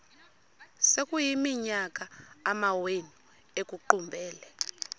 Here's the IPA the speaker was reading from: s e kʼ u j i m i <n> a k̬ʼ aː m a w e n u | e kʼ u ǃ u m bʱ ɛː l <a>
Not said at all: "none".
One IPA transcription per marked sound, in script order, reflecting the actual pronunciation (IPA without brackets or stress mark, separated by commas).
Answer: ɲ, ɛ